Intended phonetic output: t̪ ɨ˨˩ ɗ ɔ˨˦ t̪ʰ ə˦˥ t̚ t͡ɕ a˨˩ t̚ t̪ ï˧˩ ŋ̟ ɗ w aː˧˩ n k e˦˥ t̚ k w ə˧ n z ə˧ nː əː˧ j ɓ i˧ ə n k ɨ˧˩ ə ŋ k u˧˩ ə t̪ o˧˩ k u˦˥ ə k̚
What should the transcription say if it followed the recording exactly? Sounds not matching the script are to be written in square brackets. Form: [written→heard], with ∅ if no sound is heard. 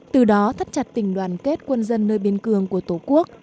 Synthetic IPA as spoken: t̪ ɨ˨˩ ɗ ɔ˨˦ t̪ʰ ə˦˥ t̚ t͡ɕ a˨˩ t̚ t̪ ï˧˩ ŋ̟ ɗ w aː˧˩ n k e˦˥ t̚ k w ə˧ n z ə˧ nː əː˧ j ɓ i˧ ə n k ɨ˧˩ ə ŋ k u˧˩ ə t̪ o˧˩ k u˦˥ ə k̚